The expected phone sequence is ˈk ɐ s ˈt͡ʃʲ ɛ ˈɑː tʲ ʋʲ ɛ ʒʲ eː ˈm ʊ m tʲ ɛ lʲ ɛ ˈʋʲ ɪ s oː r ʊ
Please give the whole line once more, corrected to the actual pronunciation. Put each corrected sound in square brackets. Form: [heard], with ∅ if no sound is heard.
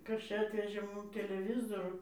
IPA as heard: ˈk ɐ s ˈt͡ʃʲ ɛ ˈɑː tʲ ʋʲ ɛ ʒʲ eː ˈm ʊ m tʲ ɛ lʲ ɛ ˈʋʲ ɪ [z] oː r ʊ